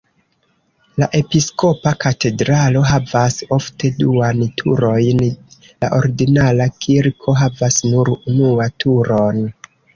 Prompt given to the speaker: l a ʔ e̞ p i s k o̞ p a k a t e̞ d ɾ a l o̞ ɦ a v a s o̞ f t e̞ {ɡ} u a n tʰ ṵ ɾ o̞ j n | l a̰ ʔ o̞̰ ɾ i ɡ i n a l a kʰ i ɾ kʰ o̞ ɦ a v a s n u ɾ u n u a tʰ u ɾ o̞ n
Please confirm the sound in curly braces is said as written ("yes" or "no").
no